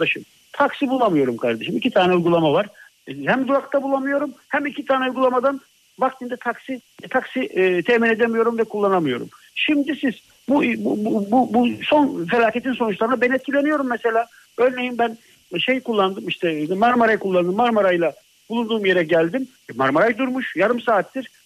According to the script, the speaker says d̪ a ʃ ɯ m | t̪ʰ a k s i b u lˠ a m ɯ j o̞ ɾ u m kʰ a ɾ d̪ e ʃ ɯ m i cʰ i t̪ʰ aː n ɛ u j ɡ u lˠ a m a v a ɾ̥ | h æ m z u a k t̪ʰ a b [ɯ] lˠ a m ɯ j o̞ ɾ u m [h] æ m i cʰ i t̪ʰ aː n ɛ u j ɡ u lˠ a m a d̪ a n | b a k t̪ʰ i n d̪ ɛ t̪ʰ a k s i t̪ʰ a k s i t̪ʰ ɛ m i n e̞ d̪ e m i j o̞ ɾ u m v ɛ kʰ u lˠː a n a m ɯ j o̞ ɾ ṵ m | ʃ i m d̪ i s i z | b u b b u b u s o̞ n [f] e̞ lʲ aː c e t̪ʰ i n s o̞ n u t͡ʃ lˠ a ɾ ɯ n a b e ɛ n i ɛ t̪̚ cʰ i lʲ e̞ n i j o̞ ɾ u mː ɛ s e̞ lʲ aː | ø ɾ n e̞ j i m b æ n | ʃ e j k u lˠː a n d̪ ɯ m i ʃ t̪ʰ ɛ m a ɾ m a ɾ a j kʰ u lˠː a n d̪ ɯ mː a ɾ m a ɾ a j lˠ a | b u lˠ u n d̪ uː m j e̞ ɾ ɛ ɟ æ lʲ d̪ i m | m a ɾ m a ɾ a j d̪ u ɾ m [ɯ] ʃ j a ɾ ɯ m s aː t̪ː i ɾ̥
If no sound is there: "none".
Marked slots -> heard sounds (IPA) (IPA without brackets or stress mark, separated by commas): u, h, f, u